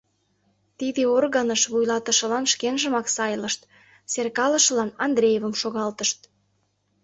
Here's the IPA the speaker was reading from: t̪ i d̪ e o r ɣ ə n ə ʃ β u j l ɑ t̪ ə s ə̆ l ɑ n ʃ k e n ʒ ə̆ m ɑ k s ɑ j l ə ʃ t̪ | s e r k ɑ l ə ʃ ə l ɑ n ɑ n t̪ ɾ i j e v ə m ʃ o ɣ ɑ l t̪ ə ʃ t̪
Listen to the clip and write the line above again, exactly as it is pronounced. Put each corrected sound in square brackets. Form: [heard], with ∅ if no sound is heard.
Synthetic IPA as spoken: t̪ i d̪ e o r ɣ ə n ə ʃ β u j l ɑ t̪ ə [ʃ] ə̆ l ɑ n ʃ k e n ʒ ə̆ m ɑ k s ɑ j l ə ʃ t̪ | s e r k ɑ l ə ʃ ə l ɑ n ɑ n [d̪] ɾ [e] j e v ə m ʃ o ɣ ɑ l t̪ ə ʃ t̪